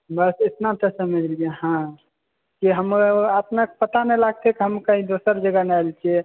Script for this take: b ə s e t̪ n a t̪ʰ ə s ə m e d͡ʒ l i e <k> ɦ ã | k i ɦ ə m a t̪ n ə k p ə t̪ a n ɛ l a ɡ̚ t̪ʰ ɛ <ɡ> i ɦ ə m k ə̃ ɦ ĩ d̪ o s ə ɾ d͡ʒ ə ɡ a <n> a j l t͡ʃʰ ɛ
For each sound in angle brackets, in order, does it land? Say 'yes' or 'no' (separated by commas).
no, no, yes